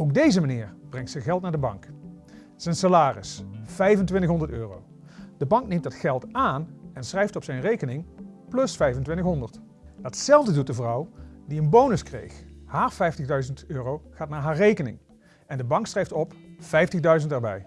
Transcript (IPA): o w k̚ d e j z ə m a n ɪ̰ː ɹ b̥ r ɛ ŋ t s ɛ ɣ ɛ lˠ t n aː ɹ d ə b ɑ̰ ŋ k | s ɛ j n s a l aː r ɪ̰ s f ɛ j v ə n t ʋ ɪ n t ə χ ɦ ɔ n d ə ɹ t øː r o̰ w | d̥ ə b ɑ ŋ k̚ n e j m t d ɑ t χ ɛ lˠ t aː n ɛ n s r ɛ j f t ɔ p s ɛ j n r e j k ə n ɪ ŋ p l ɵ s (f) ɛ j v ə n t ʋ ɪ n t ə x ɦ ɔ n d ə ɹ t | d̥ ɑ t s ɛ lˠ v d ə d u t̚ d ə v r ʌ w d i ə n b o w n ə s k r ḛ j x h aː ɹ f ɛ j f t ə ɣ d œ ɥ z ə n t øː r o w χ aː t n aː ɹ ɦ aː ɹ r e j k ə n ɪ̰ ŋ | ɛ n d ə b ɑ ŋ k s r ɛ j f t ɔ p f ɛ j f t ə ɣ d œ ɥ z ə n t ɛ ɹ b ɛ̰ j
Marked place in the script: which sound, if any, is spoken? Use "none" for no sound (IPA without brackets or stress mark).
f